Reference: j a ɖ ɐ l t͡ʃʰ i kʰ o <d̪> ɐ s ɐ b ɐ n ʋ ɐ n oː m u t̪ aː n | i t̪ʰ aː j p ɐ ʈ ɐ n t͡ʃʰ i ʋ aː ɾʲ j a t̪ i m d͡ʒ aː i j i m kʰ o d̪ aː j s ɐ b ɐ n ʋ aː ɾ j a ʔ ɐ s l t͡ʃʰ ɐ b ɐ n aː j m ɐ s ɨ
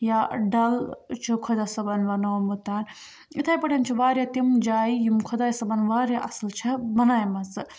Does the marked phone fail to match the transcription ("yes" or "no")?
no